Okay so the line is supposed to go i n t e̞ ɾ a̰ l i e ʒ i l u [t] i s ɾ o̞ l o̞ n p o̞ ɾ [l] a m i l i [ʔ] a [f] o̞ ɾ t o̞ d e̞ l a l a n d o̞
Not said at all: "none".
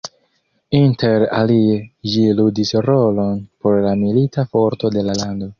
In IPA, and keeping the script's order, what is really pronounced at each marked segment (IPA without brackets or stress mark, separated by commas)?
d, l, t, f